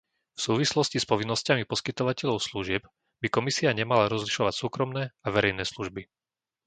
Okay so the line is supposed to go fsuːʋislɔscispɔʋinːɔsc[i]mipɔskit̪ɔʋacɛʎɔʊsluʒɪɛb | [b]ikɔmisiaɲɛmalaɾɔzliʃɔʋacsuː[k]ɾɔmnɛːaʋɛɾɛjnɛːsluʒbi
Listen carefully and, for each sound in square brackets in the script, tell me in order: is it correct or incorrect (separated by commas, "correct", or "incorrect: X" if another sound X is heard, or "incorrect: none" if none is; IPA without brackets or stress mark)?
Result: incorrect: a, correct, correct